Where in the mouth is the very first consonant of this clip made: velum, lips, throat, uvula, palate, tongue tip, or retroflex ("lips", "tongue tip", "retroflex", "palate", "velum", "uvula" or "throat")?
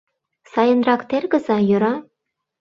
tongue tip